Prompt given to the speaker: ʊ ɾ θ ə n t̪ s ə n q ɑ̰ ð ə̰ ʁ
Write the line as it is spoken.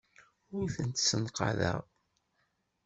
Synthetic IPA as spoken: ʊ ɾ θ ə n t̪ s ə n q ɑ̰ ð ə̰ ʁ